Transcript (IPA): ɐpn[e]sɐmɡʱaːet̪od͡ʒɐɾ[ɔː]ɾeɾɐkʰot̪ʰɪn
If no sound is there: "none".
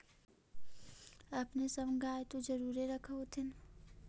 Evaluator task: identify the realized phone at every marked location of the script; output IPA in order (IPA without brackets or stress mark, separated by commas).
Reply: e, uː